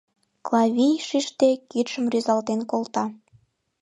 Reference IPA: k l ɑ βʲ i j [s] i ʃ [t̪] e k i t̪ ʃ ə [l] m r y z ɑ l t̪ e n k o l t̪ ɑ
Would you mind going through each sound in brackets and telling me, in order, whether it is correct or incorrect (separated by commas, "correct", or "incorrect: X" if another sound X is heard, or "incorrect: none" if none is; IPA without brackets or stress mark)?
incorrect: ʃ, correct, incorrect: none